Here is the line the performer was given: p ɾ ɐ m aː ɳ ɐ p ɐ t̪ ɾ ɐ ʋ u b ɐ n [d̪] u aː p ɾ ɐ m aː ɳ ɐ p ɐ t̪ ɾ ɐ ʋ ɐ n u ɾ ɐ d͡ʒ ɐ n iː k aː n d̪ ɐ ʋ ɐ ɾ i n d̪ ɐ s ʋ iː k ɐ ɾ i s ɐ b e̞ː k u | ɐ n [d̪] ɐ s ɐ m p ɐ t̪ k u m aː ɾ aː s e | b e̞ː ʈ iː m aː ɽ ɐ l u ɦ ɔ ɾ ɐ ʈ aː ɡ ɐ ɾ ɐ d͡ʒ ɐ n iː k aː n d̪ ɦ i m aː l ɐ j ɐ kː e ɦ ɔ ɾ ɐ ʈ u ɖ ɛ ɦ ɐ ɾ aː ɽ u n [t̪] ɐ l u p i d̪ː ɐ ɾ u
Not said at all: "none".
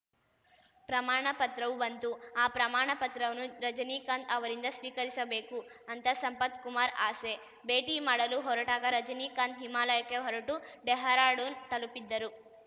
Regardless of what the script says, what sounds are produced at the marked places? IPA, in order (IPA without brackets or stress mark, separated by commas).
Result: t̪, t̪, t̪